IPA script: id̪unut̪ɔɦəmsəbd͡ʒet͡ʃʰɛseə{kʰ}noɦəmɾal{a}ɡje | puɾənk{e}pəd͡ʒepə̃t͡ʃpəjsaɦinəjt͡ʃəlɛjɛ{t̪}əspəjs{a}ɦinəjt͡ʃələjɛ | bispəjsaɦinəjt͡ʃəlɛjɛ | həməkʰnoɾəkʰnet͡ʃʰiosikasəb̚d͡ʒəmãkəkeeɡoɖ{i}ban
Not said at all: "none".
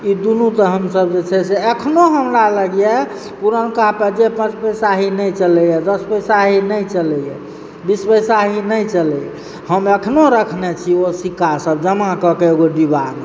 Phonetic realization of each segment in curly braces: kʰ, ə, a, d̪, a, i

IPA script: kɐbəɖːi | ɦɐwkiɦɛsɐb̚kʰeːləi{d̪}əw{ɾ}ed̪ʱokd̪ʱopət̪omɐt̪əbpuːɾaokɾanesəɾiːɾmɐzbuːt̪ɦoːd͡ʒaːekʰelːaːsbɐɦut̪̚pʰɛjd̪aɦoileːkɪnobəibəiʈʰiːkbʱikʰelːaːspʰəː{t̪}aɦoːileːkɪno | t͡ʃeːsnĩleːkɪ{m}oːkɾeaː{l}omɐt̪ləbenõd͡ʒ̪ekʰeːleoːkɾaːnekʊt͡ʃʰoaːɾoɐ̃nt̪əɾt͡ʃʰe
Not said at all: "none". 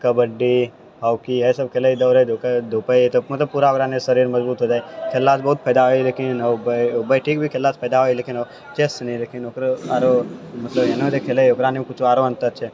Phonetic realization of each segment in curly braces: d̪, ɾ, d̪, n, ɾ

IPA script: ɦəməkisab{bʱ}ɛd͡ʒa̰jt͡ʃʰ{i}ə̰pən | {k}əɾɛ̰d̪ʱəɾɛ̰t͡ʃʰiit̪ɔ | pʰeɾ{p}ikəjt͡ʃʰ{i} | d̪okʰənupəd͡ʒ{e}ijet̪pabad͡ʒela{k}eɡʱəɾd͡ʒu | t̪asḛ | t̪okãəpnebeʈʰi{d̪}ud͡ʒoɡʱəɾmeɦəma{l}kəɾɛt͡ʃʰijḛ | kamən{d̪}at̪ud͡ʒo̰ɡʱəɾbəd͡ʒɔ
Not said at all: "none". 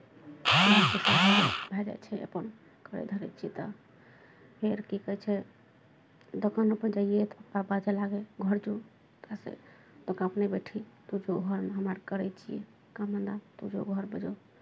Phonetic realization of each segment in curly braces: bʱ, ɛ, k, k, ɛ, a, ɡ, t̪, ɾ, d̪

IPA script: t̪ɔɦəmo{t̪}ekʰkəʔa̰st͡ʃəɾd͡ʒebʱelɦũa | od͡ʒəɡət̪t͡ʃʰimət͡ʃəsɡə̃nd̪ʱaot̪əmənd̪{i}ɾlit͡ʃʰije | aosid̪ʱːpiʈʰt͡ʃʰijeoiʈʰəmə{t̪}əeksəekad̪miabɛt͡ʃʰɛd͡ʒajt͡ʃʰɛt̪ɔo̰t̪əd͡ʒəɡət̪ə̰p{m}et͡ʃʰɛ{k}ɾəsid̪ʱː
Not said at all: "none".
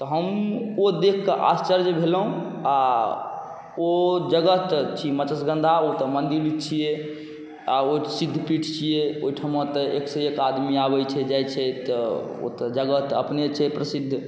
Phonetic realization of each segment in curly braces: d̪, i, t̪, n, p

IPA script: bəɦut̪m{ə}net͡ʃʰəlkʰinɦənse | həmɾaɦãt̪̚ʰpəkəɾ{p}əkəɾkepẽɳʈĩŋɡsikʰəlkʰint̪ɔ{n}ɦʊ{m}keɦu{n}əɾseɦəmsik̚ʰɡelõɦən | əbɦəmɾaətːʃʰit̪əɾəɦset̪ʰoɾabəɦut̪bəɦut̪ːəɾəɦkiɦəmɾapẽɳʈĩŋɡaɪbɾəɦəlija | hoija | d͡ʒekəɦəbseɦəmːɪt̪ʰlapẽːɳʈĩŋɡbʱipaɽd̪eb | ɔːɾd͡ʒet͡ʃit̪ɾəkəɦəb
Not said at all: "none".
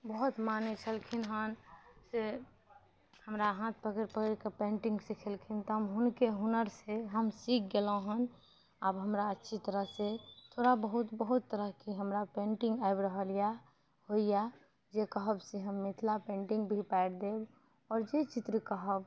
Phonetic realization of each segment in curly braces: a, p, m, n, n

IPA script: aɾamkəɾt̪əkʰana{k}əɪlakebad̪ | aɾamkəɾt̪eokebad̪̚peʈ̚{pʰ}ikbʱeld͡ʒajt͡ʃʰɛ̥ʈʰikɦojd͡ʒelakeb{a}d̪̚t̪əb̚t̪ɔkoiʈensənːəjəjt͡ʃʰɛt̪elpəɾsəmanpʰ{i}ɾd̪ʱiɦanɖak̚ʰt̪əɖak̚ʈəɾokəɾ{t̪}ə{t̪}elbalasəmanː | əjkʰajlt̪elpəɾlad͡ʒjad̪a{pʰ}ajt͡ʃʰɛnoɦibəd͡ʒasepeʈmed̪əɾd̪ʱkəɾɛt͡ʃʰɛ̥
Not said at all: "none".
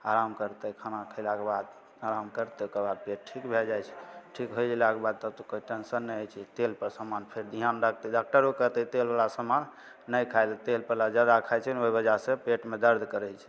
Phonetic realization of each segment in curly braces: kʰ, ʈʰ, a, e, t̪, t̪, kʰ

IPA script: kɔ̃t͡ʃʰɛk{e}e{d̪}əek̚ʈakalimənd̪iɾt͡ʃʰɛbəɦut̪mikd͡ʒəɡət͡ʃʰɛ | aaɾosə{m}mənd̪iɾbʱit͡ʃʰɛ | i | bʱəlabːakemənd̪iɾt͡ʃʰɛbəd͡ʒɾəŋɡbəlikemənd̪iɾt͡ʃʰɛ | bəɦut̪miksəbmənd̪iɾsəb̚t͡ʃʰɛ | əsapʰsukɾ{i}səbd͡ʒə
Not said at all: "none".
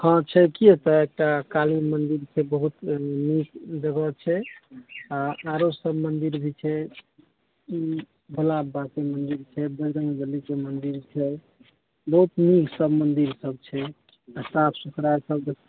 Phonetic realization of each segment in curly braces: i, t̪, b, a

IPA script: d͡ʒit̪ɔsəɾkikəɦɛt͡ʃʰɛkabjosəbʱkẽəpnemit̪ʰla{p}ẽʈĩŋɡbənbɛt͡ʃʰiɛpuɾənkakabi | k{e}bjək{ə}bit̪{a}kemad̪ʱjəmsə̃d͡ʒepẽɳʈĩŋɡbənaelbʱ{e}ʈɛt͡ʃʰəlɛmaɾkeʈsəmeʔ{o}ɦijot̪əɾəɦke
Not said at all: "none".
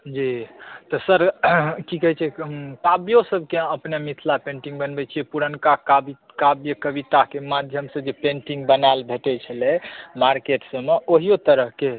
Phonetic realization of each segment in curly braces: p, a, ə, a, e, o

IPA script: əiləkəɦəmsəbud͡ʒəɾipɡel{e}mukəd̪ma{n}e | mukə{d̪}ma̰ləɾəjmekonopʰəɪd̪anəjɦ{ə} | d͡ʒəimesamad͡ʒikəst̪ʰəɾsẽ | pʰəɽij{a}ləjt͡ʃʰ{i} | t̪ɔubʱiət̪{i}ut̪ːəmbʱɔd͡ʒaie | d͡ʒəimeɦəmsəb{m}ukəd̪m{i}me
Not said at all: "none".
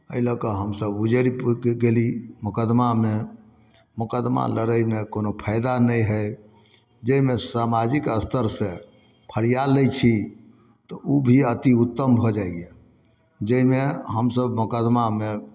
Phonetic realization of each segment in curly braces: i, m, d̪, ə, a, i, i, m, a

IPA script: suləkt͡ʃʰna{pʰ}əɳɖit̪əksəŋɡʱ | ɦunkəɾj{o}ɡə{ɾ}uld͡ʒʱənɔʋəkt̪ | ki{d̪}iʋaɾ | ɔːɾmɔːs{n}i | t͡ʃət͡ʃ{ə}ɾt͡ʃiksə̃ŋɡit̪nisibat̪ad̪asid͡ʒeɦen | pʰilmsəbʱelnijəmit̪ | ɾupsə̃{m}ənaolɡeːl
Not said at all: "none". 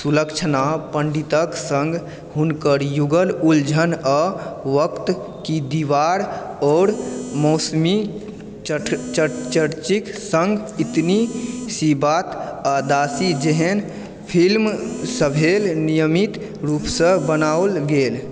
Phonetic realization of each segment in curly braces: p, u, l, d̪, m, ə, b

